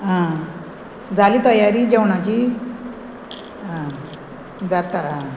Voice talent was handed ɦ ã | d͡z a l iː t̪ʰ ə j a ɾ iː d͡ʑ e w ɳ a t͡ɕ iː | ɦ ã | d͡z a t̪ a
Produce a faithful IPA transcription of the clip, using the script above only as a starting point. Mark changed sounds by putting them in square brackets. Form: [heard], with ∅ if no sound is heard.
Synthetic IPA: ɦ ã | d͡z a l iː [t̪] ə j a ɾ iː d͡ʑ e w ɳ a t͡ɕ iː | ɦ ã | d͡z a t̪ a